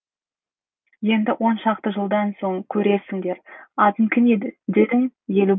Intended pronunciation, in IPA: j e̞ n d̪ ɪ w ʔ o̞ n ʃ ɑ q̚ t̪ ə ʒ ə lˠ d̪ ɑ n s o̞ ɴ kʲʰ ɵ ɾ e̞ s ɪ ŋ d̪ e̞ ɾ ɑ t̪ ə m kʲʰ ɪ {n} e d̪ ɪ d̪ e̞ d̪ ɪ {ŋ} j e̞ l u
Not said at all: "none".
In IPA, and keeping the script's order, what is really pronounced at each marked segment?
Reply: n, ŋ

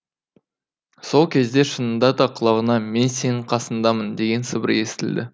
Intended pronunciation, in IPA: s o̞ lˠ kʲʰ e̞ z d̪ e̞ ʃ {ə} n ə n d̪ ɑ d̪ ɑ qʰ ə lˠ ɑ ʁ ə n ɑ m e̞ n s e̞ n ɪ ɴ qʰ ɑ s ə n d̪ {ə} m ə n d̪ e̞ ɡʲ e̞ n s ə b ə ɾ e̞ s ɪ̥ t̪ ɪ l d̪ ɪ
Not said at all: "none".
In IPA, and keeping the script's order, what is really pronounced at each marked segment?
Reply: ə, ɑ

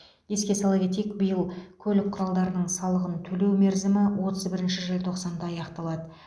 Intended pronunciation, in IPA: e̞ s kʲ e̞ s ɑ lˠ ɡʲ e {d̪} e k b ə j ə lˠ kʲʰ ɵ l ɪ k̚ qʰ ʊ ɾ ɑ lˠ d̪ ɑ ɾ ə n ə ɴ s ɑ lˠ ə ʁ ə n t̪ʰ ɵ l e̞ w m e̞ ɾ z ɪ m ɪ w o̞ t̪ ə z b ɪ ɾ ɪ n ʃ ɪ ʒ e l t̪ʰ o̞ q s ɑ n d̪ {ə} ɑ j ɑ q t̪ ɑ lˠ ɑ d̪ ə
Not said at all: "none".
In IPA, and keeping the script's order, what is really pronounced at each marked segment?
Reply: t̪, ɑ

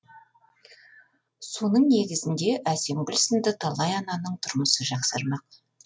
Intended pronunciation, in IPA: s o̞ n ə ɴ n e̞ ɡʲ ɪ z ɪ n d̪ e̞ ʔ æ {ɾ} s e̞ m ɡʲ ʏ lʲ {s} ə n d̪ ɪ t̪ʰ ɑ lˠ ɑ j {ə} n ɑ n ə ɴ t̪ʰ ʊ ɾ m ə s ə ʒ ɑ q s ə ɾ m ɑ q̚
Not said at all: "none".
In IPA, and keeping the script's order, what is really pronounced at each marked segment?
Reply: none, s, ɑ

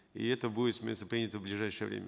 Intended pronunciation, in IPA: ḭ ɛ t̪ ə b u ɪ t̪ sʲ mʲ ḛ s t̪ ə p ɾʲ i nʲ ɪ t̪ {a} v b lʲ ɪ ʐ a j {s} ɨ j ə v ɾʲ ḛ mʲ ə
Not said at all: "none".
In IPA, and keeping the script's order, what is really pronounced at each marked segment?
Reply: ə, ʂ

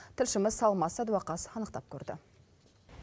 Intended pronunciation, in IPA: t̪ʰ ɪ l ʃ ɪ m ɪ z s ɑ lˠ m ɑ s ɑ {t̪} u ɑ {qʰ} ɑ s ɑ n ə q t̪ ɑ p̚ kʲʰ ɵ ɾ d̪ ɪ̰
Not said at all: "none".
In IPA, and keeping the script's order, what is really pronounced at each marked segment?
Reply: d̪, q

